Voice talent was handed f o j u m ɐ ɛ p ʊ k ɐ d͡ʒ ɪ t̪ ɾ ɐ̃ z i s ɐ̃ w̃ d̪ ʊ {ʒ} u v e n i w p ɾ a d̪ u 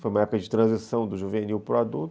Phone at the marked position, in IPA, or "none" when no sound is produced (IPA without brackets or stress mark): ʒ